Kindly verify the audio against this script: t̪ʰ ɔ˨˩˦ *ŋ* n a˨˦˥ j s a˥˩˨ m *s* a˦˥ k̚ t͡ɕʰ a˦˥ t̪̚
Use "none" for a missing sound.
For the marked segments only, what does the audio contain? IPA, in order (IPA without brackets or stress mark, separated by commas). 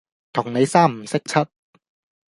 ŋ, s